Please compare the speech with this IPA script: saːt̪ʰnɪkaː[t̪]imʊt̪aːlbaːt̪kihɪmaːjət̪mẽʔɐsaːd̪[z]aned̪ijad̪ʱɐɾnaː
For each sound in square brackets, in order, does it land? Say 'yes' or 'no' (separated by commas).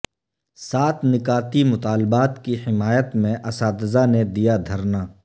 yes, yes